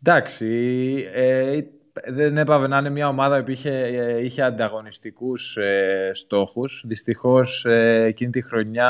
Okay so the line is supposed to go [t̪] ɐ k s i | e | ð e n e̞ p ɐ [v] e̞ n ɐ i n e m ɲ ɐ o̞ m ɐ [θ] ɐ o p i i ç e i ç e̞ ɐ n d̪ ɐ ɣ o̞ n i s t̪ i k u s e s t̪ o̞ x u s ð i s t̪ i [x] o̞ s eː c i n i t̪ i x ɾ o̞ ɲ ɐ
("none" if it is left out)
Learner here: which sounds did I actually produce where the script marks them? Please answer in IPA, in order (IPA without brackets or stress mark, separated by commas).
d̪, v, ð, x